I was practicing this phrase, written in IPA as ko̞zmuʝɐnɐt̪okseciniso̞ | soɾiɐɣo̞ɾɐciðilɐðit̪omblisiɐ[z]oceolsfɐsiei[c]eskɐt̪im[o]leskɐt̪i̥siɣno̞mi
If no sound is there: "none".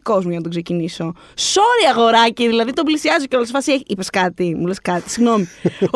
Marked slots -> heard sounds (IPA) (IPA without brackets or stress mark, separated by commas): z, p, u